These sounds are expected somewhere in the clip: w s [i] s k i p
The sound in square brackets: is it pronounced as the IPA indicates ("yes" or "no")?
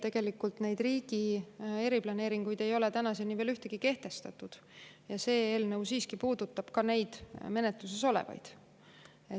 no